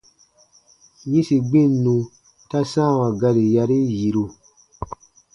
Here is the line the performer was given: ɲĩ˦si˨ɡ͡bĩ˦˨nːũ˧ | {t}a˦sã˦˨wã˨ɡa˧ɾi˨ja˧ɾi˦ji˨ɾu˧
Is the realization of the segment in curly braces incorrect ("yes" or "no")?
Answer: no